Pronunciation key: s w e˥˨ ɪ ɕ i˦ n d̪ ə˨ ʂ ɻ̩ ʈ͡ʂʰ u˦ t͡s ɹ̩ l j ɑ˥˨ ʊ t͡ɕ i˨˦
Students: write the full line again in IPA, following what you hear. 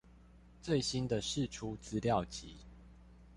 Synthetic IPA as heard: t͡s w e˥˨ ɪ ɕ i˦ n d̪ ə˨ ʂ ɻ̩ ʈ͡ʂʰ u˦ t͡s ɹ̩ l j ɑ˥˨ ʊ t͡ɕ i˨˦